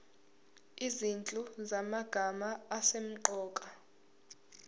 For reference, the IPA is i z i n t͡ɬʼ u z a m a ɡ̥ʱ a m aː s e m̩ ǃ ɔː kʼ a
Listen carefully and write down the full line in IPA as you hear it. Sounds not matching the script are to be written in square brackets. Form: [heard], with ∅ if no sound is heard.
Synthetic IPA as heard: i z i n t͡ɬʼ u z a m a ɡ̥ʱ a m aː s e m̩ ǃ ɔː kʼ a